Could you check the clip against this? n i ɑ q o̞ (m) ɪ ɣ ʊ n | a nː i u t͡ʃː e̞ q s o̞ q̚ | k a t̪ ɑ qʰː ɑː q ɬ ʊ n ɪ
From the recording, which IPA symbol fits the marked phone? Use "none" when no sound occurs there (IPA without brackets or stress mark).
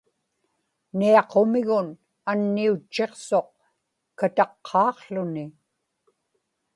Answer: m